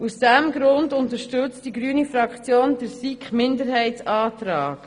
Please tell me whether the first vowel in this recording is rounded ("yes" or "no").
yes